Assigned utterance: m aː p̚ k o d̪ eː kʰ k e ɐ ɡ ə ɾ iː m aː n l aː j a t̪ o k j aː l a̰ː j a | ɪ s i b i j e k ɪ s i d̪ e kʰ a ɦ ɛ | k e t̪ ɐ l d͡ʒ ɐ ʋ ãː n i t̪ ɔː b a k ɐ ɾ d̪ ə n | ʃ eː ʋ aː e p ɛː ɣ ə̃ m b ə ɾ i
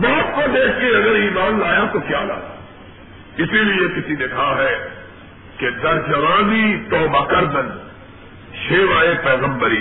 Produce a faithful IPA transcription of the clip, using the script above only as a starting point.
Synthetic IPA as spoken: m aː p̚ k o d̪ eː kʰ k e ɐ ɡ ə ɾ iː m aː n l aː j a t̪ o k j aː l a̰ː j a | ɪ s i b i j e k ɪ s i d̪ e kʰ a ɦ ɛ | k e d̪ ɐ ɾ d͡ʒ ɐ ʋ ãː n i t̪ ɔː b a k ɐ ɾ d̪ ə n | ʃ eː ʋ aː e p ɛː ɣ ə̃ m b ə ɾ i